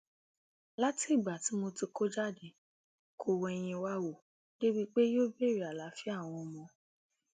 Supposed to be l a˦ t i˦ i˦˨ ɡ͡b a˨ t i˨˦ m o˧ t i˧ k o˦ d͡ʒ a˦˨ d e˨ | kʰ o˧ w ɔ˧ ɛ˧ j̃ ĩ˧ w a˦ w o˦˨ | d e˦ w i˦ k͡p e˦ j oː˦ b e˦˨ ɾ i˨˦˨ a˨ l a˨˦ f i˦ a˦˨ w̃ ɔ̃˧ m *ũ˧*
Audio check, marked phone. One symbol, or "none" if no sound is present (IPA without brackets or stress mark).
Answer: ɔ̃˧